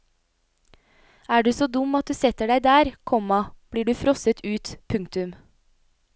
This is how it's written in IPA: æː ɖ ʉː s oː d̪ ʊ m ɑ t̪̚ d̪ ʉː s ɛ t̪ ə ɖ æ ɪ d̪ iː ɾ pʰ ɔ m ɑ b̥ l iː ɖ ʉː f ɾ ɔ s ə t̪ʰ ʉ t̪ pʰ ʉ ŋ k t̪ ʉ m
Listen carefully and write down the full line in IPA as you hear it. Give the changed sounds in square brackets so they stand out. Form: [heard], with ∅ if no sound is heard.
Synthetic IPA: æː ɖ ʉː s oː d̪ ʊ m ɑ t̪̚ d̪ ʉː s ɛ t̪ ə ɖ æ ɪ d̪ [æː] ɾ [kʰ] ɔ m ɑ b̥ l iː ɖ ʉː f ɾ ɔ s ə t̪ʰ [ʉː] t̪ pʰ ʉ ŋ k t̪ ʉ m